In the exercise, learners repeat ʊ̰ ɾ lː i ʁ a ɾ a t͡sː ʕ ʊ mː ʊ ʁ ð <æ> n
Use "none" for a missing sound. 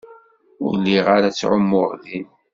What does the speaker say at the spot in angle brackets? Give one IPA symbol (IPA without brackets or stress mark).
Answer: i